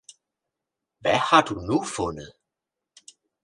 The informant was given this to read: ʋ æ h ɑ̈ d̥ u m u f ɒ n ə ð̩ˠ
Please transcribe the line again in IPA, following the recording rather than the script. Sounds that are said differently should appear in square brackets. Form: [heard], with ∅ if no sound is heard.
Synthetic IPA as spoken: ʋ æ h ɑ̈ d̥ u [n] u f [ɔ] n ə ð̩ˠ